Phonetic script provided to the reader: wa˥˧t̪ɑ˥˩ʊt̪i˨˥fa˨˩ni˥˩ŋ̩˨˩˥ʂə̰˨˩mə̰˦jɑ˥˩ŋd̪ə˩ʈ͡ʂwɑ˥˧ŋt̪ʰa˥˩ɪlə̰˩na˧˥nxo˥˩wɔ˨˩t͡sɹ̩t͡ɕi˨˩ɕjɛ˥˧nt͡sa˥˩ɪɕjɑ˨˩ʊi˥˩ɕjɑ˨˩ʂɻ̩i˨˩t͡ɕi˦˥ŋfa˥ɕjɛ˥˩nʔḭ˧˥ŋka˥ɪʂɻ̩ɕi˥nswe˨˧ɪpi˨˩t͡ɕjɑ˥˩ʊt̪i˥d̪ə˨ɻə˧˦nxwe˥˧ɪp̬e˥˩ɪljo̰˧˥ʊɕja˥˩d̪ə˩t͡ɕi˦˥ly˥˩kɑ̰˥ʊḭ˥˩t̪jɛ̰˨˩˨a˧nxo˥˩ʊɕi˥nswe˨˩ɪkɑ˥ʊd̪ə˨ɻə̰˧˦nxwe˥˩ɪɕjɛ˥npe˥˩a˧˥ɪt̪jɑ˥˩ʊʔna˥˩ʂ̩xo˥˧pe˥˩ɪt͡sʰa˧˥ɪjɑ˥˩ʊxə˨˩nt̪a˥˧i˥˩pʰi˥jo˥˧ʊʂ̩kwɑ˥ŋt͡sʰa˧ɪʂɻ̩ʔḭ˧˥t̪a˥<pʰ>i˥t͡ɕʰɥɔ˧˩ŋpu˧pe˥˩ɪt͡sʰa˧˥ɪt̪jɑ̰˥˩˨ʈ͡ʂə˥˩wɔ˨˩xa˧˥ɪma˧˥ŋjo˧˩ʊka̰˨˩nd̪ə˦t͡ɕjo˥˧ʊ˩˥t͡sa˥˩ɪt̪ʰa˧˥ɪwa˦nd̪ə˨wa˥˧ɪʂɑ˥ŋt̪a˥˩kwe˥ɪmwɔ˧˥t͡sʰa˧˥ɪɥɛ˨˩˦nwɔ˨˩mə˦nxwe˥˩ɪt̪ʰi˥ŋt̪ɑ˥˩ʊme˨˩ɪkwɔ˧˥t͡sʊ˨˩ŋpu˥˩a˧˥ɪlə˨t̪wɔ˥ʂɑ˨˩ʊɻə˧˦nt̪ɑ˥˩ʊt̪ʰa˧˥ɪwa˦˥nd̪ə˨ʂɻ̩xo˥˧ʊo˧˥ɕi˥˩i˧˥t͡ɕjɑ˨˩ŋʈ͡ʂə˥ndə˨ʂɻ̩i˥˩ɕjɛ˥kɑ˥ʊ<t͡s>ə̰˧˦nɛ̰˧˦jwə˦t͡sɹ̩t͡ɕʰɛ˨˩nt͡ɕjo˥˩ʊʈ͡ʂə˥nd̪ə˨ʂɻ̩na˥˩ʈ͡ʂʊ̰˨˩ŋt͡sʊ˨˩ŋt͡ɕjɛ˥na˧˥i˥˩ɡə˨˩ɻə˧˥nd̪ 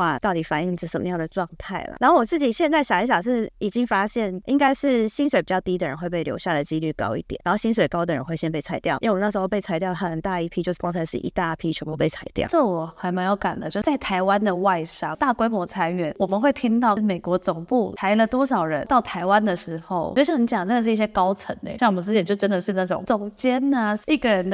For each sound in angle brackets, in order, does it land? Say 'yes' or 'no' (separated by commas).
yes, no